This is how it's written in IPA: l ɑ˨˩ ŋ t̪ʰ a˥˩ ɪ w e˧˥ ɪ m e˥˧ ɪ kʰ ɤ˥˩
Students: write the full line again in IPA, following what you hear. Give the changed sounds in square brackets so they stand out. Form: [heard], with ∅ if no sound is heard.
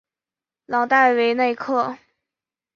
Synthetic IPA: l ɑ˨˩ ŋ [t̪] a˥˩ ɪ w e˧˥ ɪ [n] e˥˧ ɪ kʰ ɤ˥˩